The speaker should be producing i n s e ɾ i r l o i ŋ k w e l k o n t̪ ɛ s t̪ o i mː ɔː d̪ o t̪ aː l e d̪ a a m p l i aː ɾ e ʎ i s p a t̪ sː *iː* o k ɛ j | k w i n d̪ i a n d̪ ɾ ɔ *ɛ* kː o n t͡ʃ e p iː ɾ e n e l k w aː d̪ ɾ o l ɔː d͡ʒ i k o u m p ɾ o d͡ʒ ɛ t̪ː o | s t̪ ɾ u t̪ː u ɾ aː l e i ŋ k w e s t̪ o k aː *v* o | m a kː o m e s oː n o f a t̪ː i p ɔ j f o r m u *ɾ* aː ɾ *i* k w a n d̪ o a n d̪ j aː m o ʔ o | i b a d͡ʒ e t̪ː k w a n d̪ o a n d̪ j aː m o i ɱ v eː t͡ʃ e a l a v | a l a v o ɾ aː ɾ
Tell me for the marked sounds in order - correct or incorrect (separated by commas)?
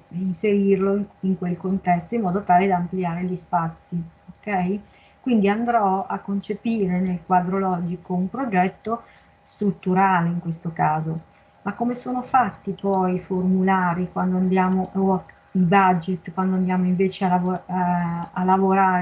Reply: incorrect, incorrect, incorrect, incorrect, correct